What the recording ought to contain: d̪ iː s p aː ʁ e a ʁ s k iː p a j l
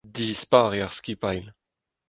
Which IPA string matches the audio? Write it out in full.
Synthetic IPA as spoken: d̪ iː s p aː ʁ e a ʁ s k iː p a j l